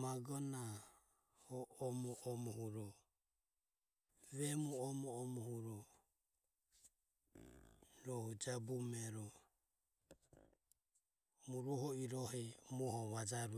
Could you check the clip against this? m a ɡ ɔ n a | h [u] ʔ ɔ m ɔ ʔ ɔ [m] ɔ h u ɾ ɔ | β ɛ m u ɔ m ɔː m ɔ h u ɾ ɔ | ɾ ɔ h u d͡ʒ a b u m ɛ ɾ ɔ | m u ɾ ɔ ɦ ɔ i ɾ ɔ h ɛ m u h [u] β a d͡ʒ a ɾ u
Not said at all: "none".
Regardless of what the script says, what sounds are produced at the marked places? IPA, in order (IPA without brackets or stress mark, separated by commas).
ɔ, m, ɔ